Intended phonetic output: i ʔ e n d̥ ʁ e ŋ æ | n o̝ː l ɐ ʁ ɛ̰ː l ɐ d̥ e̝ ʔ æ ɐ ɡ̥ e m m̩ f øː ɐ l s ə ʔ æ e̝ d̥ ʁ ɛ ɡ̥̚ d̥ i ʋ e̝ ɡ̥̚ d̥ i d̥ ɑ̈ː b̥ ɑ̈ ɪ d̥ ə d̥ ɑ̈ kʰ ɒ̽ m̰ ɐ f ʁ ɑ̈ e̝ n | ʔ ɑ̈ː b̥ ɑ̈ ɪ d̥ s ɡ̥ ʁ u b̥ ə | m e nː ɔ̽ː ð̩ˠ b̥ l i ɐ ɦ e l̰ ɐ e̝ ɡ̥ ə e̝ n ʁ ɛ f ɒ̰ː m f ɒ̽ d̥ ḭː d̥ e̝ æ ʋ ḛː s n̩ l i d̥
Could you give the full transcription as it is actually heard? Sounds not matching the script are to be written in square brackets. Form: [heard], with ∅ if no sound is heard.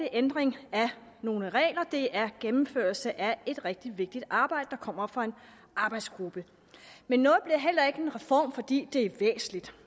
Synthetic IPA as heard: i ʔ e n d̥ ʁ e ŋ æ | n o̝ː l [ə] ʁ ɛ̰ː l ɐ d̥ e̝ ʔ æ ɐ ɡ̥ e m m̩ f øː ɐ l s ə ʔ æ e̝ d̥ ʁ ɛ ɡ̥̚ d̥ i ʋ e̝ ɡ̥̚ d̥ i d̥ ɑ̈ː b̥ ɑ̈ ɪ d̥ ə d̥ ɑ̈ kʰ ɒ̽ m̰ ɐ f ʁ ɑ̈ e̝ n | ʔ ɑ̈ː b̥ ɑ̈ ɪ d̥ s ɡ̥ ʁ u b̥ ə | m e nː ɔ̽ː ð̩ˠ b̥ l i ɐ ɦ e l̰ ɐ e̝ ɡ̥ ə e̝ n ʁ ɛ f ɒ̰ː m f ɒ̽ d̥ ḭː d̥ e̝ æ ʋ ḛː s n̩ l i d̥